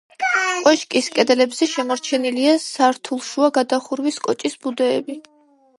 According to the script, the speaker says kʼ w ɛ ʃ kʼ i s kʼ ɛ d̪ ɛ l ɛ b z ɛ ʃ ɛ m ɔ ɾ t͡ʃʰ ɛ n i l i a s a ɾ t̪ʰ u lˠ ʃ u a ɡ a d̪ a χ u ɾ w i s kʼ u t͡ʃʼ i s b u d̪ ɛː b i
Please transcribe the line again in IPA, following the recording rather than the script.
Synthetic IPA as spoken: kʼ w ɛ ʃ kʼ i s kʼ ɛ d̪ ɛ l ɛ b z ɛ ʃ ɛ m ɔ ɾ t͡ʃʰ ɛ n i l i a s a ɾ t̪ʰ u lˠ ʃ u a ɡ a d̪ a χ u ɾ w i s kʼ ɔ t͡ʃʼ i s b u d̪ ɛː b i